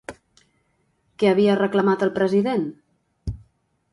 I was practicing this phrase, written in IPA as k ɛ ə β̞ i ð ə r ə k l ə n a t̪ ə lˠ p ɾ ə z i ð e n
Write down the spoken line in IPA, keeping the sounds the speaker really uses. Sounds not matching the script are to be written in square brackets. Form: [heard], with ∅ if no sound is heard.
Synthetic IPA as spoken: k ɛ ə β̞ i [∅] ə r ə k l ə [m] a t̪ ə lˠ p ɾ ə z i ð e n